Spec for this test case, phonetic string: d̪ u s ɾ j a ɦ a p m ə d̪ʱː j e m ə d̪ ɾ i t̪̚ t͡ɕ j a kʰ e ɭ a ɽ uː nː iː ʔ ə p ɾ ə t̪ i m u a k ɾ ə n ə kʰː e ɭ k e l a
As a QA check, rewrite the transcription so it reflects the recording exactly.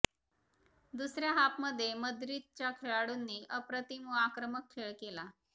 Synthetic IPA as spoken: d̪ u s ɾ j a ɦ a p m ə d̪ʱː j e m ə d̪ ɾ i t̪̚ t͡ɕ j a kʰ e ɭ a ɽ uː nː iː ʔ ə p ɾ ə t̪ i m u a k ɾ ə m ə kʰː e ɭ k e l a